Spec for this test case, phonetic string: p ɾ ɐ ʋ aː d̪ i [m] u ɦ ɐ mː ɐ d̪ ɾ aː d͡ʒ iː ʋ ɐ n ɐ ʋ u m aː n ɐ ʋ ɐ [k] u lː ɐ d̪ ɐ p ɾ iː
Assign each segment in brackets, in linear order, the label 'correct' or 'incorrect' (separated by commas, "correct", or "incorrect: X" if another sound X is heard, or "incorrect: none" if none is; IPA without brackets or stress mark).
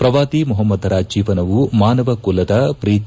correct, correct